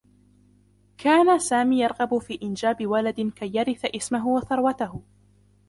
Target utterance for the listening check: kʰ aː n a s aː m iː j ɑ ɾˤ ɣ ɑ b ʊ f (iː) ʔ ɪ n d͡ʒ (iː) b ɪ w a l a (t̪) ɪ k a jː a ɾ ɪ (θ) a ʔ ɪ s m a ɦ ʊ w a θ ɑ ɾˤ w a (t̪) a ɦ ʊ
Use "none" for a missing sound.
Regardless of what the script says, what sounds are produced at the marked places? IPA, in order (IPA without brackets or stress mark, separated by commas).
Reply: iː, aː, d̪, θ, t̪